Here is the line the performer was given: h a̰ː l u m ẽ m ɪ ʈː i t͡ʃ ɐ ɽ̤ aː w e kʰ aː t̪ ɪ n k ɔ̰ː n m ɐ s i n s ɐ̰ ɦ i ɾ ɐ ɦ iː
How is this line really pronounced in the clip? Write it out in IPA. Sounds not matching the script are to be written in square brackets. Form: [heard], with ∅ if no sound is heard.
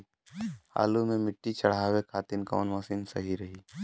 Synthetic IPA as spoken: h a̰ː l u m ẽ m ɪ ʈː i t͡ʃ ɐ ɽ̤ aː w e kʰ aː t̪ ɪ n k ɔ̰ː n m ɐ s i n s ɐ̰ ɦ i ɾ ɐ ɦ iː